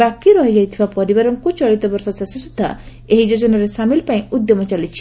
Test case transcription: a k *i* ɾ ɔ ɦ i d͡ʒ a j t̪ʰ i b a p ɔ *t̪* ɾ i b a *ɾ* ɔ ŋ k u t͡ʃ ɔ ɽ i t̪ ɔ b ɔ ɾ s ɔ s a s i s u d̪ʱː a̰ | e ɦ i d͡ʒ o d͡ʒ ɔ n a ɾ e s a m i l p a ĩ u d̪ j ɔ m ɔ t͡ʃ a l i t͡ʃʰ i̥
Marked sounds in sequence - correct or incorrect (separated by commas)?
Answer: correct, incorrect, correct